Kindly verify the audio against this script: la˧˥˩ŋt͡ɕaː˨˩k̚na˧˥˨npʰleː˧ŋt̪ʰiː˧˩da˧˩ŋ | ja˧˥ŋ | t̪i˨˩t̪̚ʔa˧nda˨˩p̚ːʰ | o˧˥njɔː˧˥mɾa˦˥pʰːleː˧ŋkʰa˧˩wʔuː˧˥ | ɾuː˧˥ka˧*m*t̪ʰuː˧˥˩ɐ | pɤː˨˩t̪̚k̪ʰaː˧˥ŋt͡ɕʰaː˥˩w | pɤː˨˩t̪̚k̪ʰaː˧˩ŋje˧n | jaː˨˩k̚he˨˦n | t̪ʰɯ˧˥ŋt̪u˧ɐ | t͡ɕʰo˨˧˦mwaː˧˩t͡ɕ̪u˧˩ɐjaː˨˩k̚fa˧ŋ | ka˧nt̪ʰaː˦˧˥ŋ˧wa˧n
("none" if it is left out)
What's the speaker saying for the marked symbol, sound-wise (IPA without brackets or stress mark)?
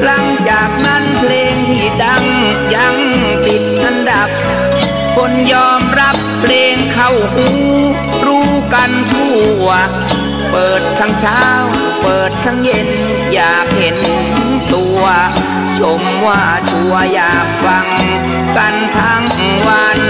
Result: n